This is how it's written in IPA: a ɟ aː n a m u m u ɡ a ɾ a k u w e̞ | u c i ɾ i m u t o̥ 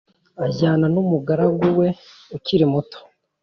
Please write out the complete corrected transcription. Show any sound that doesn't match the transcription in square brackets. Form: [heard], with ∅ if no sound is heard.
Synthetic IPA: a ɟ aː n a [n] u m u ɡ a ɾ a [ɡ] u w e̞ | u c i ɾ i m u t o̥